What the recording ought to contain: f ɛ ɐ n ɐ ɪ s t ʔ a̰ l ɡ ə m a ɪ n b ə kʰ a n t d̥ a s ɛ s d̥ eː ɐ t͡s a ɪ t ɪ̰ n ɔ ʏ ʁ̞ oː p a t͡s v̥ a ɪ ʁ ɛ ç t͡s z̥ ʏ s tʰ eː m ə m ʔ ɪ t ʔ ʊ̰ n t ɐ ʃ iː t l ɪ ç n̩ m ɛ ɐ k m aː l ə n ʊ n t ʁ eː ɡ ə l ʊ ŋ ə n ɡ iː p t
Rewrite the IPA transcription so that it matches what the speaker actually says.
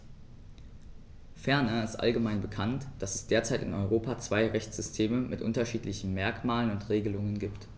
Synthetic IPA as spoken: f ɛ ɐ n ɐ ɪ s t ʔ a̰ l ɡ ə m a ɪ n b ə kʰ a n t d̥ a s ɛ s d̥ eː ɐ t͡s a ɪ t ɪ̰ n ɔ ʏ ʁ̞ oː p a t͡s v̥ a ɪ ʁ ɛ ç t͡s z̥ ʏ s tʰ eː m ə m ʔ ɪ t ʔ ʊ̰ n t ɐ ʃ iː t l ɪ ç n̩ m ɛ ɐ k m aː l ə n ʊ n t ʁ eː ɡ ə l ʊ ŋ ə n ɡ iː p t